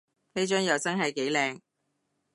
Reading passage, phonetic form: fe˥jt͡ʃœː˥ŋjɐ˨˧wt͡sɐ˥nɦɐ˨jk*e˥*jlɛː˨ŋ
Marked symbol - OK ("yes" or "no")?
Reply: no